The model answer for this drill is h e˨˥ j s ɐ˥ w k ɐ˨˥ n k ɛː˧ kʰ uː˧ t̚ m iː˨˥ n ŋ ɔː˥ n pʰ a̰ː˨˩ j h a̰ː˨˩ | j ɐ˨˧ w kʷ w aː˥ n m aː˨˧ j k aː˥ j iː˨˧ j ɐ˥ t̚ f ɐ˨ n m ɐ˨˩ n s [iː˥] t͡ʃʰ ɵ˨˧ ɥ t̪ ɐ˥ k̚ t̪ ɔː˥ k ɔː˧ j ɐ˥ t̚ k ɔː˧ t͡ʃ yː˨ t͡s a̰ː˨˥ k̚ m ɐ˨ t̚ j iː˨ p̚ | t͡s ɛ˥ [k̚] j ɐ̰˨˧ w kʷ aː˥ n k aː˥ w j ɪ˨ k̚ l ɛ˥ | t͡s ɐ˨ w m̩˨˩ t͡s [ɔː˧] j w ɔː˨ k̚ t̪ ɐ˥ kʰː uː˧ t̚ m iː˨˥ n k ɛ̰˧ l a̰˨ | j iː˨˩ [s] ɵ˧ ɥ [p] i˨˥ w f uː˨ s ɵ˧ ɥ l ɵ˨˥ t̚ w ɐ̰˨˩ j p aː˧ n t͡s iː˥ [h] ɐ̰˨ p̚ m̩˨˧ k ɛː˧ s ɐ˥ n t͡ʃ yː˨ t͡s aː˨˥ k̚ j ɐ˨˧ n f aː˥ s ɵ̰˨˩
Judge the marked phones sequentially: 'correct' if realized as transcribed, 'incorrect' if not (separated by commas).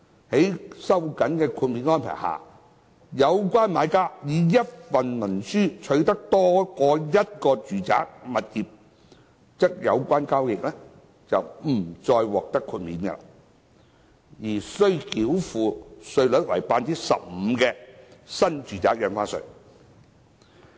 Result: incorrect, correct, correct, correct, incorrect, incorrect